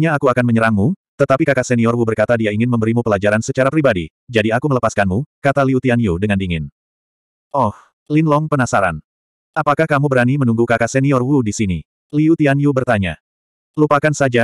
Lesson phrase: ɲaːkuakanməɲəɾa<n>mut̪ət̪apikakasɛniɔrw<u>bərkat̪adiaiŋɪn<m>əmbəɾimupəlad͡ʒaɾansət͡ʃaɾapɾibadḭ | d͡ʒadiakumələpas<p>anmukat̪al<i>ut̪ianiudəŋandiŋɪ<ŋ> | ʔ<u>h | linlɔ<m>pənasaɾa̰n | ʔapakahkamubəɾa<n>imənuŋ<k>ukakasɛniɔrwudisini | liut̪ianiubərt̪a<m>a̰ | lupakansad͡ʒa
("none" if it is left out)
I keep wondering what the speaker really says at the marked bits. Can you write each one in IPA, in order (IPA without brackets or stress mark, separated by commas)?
ŋ, u, m, k, i, n, ɔ, ŋ, n, ɡ, ɲ